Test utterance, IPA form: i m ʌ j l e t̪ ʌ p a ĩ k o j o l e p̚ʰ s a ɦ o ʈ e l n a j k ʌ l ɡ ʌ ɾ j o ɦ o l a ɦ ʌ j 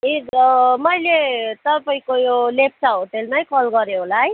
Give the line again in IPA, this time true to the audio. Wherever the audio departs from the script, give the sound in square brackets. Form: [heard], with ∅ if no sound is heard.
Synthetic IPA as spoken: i m ʌ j l e t̪ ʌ p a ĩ k o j o l e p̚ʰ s a ɦ o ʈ e l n a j k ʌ l ɡ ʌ ɾ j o ɦ o l a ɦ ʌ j